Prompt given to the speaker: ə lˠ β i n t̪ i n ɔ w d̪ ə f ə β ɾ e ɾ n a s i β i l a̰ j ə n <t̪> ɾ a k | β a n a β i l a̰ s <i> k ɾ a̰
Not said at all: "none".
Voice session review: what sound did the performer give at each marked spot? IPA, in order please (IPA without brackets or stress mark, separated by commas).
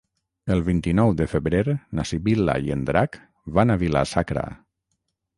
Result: d̪, a